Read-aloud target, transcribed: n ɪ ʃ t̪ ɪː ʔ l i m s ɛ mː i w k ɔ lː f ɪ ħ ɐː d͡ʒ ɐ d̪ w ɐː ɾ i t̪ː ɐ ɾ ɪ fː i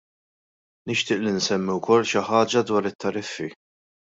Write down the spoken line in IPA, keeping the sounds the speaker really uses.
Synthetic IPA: n ɪ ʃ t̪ ɪː ʔ l i n s ɛ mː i w k ɔ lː ʃ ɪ ħ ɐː d͡ʒ ɐ d̪ w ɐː ɾ ɪ t̪ː ɐ ɾ ɪ fː i